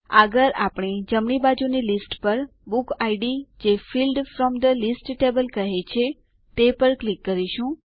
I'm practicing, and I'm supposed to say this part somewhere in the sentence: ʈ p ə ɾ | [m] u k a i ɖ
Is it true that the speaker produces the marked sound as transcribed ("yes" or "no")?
no